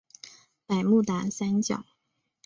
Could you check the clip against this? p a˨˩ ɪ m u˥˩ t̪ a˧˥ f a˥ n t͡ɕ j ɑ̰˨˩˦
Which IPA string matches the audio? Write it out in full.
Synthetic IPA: p a˨˩ ɪ m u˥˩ t̪ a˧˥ s a˥ n t͡ɕ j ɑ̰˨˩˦

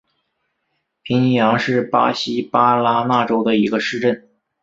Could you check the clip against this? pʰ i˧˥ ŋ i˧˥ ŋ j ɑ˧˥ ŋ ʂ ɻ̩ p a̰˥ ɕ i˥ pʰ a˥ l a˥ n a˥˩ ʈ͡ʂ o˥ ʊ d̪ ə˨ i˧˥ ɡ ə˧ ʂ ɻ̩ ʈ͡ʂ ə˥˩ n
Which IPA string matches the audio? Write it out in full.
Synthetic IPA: pʰ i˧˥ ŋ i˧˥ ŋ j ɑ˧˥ ŋ ʂ ɻ̩ p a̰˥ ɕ i˥ p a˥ l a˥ n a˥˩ ʈ͡ʂ o˥ ʊ d̪ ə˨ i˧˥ ɡ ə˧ ʂ ɻ̩ ʈ͡ʂ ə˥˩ n

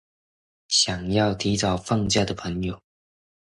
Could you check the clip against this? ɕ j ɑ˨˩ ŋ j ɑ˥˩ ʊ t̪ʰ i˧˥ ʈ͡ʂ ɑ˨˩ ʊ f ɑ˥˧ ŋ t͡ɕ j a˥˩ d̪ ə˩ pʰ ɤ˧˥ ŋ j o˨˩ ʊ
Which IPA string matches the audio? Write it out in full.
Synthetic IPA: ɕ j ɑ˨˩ ŋ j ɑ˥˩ ʊ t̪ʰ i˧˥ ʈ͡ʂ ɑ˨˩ ʊ f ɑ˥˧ ŋ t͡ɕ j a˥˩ d̪ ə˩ pʰ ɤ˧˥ ŋ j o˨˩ ʊ

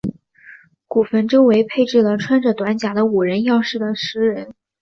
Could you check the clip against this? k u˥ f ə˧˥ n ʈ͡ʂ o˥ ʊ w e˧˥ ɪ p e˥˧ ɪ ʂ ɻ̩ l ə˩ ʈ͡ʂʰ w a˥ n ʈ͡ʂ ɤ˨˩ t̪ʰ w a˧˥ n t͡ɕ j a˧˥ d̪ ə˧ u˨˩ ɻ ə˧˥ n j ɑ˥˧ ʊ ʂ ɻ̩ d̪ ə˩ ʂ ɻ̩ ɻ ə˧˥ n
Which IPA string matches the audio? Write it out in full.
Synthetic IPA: k u˨˩ f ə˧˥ n ʈ͡ʂ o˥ ʊ w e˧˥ ɪ pʰ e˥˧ ɪ ʈ͡ʂ ɻ̩ l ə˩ ʈ͡ʂʰ w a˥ n ʈ͡ʂ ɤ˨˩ t̪ w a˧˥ n t͡ɕ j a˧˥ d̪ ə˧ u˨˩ ɻ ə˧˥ n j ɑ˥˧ ʊ ʂ ɻ̩ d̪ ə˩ ʂ ɻ̩ ɻ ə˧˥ n

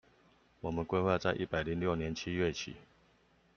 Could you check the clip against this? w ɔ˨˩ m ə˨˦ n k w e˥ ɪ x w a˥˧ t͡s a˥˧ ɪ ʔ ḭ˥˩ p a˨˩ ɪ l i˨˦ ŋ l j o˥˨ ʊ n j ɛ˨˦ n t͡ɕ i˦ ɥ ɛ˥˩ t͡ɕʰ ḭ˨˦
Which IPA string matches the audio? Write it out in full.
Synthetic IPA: w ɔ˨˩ m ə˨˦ n k w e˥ ɪ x w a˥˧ t͡s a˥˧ ɪ ʔ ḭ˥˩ p a˨˩ ɪ l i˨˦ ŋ l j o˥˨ ʊ n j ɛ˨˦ n t͡ɕʰ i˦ ɥ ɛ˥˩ t͡ɕʰ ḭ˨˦

